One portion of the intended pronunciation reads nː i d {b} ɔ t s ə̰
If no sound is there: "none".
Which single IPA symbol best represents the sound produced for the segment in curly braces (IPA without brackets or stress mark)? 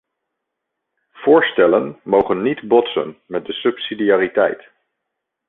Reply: b